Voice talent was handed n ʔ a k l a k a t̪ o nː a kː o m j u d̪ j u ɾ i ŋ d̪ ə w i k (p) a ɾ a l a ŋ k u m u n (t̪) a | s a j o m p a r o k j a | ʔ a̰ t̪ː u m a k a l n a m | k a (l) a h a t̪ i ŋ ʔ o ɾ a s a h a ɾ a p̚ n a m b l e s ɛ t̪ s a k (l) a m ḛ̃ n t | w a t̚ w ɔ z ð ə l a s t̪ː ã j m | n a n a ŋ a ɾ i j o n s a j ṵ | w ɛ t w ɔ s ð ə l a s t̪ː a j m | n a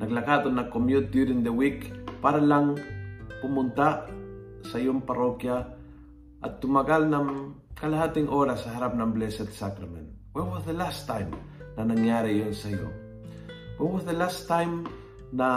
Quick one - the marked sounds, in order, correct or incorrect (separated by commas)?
correct, correct, correct, incorrect